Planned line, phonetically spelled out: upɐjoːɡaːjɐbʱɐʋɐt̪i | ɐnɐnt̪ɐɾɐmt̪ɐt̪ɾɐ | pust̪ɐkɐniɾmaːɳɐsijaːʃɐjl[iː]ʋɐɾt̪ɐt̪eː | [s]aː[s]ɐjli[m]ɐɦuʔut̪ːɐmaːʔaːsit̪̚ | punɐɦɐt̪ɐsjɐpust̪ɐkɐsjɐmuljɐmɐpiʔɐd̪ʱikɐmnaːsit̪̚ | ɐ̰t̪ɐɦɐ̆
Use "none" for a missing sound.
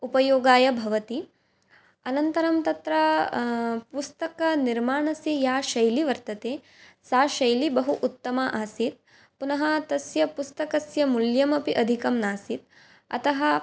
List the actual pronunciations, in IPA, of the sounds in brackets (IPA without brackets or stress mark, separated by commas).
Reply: i, s, ʃ, b